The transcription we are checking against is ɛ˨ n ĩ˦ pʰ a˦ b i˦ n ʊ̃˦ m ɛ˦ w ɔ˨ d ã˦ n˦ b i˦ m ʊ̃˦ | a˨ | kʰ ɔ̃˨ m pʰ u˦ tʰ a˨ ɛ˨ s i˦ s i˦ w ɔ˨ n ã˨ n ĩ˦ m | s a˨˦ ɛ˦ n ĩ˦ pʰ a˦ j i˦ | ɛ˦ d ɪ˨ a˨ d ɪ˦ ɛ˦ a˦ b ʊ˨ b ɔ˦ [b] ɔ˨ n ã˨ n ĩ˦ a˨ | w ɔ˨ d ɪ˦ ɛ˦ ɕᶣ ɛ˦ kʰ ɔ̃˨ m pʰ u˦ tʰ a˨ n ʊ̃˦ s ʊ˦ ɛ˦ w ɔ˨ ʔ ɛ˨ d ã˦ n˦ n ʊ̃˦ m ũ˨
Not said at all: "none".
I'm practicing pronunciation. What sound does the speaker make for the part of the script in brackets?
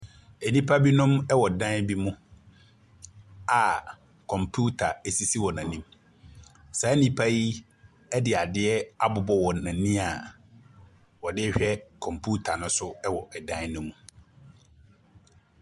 w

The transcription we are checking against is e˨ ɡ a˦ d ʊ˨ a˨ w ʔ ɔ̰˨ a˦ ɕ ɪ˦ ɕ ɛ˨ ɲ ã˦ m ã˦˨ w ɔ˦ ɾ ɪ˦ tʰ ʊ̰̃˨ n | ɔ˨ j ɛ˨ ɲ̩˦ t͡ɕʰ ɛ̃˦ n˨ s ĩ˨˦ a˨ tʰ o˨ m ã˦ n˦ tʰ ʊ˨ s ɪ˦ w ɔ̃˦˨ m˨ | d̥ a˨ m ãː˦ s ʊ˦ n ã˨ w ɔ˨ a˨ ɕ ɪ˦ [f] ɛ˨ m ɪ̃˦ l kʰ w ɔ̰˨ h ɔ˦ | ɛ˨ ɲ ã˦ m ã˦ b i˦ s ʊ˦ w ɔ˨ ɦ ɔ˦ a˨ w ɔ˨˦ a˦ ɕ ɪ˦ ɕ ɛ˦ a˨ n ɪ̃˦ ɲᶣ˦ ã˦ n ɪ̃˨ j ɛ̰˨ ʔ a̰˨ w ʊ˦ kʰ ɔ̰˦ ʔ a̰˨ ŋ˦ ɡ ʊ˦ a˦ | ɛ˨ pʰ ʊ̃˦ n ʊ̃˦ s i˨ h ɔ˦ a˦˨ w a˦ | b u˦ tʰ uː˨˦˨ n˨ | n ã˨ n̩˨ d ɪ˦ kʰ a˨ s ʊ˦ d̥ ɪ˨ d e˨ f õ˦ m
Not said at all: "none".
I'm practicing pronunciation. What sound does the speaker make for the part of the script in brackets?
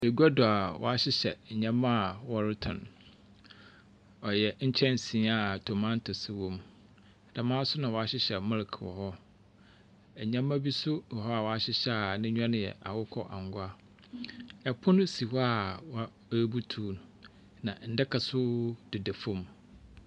ɕ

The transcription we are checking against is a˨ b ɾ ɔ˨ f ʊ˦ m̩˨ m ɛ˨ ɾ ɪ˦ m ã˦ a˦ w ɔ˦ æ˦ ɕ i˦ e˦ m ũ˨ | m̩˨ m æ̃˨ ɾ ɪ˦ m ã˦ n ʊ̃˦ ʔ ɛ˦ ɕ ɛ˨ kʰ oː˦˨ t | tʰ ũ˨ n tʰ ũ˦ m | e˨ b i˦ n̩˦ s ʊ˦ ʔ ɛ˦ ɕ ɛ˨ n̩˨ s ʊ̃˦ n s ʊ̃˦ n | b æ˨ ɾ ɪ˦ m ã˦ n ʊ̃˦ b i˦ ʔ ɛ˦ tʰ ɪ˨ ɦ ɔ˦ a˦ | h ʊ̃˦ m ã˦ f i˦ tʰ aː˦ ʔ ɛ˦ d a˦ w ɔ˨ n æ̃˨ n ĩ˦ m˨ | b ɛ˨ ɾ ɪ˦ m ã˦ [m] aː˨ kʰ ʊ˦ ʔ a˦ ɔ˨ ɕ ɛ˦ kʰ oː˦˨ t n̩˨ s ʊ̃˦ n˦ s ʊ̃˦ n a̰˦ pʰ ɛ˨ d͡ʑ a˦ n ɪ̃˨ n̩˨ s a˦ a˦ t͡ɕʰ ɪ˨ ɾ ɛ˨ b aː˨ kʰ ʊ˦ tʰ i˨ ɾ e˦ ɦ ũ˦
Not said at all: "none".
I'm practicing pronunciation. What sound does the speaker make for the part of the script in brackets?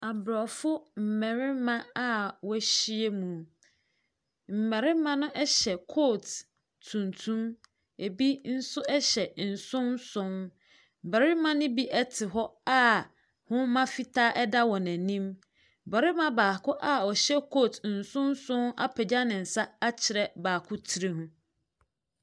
b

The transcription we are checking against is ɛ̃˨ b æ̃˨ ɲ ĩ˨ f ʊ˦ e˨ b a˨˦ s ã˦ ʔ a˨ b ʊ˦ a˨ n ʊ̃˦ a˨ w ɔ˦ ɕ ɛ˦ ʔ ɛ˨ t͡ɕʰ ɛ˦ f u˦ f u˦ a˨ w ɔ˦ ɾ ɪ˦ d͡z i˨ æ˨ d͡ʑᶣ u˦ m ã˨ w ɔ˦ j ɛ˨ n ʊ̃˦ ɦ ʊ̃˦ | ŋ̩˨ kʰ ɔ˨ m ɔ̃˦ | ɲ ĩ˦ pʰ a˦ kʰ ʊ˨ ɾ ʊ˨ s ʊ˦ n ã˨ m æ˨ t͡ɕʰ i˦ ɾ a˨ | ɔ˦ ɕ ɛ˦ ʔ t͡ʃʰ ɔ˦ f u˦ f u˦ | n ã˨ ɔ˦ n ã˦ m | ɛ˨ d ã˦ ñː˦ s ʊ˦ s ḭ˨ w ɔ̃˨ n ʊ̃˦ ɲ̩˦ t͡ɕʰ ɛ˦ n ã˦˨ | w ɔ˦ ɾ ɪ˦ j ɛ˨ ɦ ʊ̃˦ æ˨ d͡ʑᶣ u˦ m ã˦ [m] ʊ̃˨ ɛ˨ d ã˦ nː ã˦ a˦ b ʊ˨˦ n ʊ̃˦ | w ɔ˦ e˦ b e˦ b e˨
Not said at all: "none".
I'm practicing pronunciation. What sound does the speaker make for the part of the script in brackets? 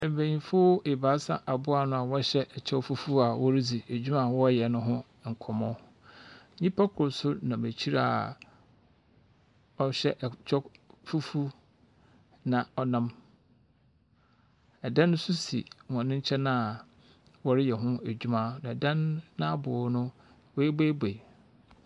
n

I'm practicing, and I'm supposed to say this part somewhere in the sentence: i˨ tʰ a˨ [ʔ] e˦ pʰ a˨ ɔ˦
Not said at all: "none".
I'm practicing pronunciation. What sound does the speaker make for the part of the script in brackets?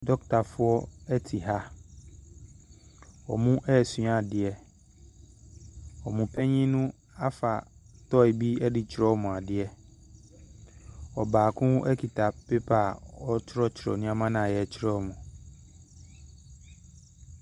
p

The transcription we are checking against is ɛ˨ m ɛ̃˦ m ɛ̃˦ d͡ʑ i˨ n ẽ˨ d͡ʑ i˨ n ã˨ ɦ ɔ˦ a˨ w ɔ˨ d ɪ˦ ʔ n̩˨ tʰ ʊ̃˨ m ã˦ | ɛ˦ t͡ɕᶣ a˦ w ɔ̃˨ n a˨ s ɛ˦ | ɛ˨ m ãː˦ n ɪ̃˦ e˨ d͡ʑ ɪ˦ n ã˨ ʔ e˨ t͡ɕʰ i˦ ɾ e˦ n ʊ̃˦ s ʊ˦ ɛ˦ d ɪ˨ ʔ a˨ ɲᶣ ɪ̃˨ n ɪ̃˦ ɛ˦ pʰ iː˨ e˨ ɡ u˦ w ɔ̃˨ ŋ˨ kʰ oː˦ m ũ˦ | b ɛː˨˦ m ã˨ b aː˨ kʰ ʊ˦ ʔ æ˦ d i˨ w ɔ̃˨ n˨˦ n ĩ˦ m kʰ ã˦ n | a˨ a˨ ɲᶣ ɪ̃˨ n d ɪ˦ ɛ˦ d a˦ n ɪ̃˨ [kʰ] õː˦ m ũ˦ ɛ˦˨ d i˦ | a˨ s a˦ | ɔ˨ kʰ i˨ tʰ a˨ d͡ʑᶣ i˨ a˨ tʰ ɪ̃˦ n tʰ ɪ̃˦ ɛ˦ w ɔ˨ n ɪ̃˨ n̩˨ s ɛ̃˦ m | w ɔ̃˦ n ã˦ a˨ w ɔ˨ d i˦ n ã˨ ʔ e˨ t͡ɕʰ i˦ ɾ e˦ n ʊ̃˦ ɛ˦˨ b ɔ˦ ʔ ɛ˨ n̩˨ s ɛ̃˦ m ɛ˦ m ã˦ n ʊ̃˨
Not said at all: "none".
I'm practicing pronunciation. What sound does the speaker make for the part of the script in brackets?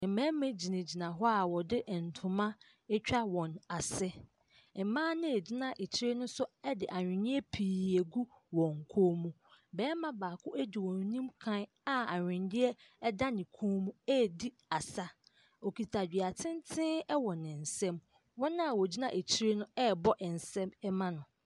kʰ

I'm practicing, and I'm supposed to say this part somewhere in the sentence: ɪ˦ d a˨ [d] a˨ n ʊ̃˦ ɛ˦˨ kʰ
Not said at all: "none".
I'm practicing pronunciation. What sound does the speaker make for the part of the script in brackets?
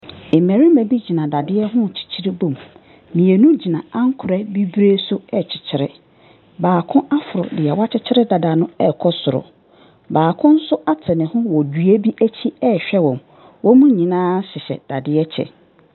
d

